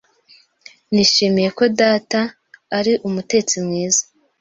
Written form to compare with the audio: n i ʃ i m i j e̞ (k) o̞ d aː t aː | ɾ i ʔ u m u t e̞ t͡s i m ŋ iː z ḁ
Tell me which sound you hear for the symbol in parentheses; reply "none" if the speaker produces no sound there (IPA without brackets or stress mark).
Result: k